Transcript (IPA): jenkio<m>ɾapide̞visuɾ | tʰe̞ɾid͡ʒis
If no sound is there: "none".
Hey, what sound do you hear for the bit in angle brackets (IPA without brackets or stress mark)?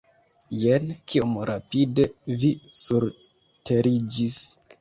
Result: m